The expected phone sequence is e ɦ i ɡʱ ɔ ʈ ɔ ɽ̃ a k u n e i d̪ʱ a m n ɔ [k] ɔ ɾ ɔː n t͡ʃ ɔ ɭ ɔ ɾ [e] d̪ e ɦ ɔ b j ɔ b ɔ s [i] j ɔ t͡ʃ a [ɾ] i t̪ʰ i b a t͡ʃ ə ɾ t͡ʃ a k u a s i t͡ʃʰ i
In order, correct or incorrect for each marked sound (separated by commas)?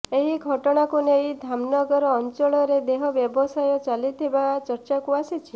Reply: incorrect, correct, incorrect, incorrect